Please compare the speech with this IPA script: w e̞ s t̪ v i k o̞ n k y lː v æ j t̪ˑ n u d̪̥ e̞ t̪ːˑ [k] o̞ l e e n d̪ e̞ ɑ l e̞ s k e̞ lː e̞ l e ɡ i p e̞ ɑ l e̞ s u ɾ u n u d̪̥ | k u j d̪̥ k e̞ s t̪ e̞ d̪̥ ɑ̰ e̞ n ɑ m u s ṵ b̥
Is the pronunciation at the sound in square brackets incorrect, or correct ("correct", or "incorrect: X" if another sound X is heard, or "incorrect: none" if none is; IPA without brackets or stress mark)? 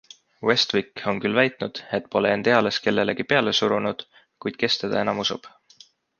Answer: incorrect: p